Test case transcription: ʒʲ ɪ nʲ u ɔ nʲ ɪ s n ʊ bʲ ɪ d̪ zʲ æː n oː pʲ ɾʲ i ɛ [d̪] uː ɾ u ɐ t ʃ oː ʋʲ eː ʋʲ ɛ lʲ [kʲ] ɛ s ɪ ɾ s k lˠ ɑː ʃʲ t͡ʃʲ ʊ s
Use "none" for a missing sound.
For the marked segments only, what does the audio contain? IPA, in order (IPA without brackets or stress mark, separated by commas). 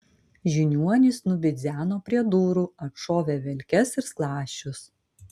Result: d̪, kʲ